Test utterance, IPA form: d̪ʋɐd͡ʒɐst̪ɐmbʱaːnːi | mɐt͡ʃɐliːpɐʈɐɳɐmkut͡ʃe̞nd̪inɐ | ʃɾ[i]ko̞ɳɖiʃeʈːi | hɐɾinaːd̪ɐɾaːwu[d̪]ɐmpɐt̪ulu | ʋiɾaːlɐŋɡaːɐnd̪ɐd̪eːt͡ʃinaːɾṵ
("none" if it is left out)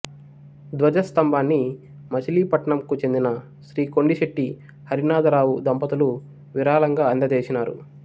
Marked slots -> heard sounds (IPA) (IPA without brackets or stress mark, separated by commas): iː, d̪